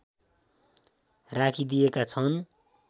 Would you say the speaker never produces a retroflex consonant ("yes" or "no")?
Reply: yes